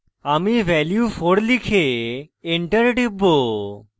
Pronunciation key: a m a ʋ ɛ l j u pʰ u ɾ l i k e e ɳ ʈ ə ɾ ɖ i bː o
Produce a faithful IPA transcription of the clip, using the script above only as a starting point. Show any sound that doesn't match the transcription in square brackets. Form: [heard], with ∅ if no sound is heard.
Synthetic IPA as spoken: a m [i] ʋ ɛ l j u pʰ [o] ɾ l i [kʰ] e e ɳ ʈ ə ɾ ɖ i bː o